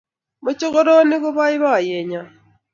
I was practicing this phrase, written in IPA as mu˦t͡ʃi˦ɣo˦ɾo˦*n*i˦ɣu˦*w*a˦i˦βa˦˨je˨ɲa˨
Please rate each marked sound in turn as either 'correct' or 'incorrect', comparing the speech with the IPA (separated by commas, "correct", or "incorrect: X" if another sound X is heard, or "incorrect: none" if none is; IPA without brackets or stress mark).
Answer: correct, incorrect: β